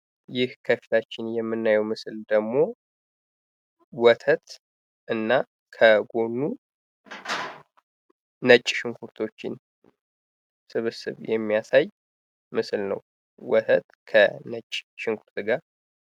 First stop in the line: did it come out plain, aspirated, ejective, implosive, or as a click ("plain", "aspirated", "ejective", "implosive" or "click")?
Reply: aspirated